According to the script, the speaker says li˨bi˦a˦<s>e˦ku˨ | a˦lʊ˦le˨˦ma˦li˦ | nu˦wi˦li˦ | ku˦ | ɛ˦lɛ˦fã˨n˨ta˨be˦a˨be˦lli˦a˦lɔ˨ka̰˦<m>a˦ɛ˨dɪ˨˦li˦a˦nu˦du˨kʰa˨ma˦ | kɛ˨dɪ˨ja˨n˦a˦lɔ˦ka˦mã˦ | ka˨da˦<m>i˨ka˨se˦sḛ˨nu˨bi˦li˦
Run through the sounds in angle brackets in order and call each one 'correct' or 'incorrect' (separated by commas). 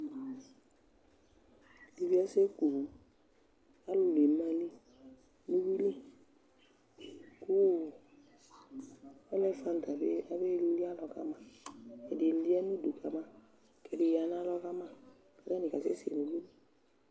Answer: correct, correct, incorrect